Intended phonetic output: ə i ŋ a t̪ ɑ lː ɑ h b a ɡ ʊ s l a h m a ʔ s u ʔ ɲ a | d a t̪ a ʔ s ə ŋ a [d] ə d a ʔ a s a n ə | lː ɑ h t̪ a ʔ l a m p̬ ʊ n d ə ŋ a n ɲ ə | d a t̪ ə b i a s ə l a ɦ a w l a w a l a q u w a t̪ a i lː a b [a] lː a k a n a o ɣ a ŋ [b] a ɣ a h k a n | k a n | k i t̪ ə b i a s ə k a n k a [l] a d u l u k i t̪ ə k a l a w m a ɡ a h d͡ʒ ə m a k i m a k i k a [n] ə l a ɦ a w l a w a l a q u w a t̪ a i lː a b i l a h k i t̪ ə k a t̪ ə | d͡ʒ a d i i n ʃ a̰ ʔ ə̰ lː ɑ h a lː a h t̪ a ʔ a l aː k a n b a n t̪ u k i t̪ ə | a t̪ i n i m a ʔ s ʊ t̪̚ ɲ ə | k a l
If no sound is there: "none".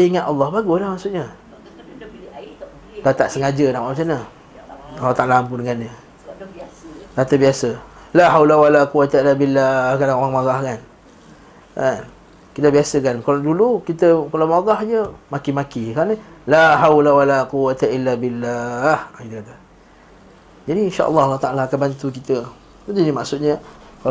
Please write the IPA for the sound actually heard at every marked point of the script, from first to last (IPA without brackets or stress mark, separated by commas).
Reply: d͡ʒ, i, m, l, n